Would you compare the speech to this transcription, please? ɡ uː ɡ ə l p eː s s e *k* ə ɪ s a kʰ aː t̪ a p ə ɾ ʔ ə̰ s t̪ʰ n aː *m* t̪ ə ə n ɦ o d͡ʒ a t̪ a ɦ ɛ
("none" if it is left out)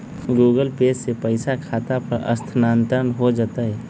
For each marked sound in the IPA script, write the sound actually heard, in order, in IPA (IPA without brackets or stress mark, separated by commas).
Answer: p, n